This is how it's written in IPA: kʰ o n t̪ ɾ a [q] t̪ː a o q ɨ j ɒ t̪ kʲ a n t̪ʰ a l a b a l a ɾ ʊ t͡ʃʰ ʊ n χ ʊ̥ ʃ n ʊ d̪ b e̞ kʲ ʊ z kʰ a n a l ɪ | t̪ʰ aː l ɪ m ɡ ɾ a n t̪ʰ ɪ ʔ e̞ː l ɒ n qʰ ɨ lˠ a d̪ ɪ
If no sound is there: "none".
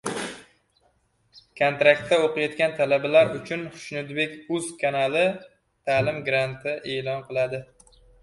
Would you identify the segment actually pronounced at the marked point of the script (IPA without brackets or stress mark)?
k